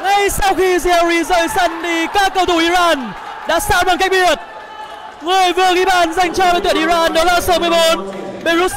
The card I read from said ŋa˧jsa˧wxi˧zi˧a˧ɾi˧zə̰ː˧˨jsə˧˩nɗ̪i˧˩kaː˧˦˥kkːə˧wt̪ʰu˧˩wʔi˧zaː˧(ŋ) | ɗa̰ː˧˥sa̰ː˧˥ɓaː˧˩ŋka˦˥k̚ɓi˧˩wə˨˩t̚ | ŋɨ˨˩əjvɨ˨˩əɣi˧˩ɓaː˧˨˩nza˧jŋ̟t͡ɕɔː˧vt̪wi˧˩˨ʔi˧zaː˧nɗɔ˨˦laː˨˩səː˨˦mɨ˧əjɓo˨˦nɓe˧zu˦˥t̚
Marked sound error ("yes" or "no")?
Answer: yes